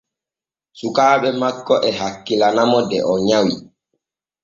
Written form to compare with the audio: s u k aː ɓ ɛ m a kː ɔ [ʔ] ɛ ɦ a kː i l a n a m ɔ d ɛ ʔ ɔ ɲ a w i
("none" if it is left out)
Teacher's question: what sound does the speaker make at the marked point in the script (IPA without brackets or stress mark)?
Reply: ʔ